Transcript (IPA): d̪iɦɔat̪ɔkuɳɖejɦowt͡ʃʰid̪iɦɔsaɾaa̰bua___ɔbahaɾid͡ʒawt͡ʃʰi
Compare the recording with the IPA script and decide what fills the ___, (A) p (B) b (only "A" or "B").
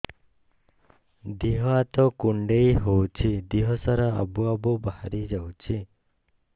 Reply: B